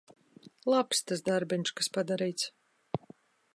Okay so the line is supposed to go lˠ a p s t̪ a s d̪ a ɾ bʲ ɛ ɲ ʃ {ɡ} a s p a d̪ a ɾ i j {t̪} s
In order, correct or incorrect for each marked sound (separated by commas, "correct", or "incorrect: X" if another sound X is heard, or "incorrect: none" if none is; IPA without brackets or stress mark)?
incorrect: k, correct